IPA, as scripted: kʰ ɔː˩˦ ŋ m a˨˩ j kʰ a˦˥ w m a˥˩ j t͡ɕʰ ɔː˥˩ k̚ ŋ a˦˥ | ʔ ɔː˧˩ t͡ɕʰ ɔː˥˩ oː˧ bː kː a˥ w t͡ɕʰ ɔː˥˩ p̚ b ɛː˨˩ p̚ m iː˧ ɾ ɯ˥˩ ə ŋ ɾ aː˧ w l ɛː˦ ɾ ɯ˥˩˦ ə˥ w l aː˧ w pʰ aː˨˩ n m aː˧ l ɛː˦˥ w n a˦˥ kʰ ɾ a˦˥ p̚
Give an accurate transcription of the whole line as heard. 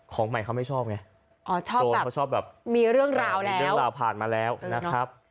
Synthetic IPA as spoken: kʰ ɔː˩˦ ŋ m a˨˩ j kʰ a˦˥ w m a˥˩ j t͡ɕʰ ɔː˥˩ p̚ ŋ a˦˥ | ʔ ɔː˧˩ t͡ɕʰ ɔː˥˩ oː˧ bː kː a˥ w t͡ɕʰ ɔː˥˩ p̚ b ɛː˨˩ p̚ m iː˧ ɾ ɯ˥˩ ə ŋ ɾ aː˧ w l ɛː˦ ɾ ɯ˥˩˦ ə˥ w ɾ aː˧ w pʰ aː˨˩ n m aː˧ l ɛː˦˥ w n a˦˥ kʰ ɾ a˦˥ p̚